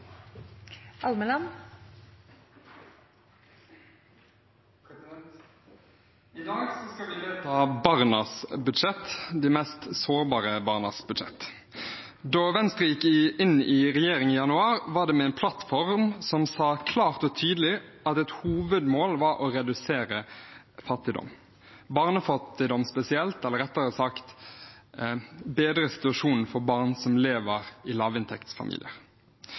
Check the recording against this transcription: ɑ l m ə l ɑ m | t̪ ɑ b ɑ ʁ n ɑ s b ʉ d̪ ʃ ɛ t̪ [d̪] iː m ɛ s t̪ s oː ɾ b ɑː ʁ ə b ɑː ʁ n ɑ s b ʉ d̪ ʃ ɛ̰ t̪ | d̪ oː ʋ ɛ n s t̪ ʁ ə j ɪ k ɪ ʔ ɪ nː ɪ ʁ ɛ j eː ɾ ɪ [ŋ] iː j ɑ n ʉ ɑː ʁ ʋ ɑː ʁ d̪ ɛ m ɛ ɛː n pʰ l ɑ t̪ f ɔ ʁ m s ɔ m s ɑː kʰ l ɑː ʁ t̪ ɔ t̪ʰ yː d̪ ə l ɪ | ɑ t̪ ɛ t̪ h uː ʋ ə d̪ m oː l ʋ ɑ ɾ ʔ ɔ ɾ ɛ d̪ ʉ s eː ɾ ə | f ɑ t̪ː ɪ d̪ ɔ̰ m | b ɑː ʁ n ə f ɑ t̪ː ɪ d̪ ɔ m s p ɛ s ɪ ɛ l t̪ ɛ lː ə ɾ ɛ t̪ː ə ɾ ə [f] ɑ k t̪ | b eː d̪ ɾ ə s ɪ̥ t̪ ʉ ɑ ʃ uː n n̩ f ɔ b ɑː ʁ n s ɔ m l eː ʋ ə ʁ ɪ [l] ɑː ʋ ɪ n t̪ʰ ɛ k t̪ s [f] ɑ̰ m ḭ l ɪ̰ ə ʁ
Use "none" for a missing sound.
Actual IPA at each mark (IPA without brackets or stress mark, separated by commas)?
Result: d̪, ŋ, s, l, f